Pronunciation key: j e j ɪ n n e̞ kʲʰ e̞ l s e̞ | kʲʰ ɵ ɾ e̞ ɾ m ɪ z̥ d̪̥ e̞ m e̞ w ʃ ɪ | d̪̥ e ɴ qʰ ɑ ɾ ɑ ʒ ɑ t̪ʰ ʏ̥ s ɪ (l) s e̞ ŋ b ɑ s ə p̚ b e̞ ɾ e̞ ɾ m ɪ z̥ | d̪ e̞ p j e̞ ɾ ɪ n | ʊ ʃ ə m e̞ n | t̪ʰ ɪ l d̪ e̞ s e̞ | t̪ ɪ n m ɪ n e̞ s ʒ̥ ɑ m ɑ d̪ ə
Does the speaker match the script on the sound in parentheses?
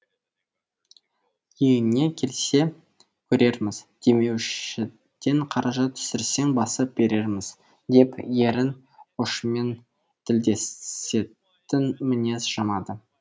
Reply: no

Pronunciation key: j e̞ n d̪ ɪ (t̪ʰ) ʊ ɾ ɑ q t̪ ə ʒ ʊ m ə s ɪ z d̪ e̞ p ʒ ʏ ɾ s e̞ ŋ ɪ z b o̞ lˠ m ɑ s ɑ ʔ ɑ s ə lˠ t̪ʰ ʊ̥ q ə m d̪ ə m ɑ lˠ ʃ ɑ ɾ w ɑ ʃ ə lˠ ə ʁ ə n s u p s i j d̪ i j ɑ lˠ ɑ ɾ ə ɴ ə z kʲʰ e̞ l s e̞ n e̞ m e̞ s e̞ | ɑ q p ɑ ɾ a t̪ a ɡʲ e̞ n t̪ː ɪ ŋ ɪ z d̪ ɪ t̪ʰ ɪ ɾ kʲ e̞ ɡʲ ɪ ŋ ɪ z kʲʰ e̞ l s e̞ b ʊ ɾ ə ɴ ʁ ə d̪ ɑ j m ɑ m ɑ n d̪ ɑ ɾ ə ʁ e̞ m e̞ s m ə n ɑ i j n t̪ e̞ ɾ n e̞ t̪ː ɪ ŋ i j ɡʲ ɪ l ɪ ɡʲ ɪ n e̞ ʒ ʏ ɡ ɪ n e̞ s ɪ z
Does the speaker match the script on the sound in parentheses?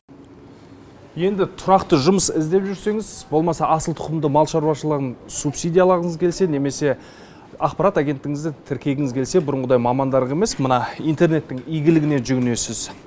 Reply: yes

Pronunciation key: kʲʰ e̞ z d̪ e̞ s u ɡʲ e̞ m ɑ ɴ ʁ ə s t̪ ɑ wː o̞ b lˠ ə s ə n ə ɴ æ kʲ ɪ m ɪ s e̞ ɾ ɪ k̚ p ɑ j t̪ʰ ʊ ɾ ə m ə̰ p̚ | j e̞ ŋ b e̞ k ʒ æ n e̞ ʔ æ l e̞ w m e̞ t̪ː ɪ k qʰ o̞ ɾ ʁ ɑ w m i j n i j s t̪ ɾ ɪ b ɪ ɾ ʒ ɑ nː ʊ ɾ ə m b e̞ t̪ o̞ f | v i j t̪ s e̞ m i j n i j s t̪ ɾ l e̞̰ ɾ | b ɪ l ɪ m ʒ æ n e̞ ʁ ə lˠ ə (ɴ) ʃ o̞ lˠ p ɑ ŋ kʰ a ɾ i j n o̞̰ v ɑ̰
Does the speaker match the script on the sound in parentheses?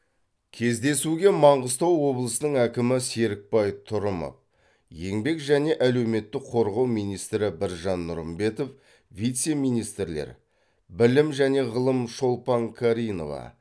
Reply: no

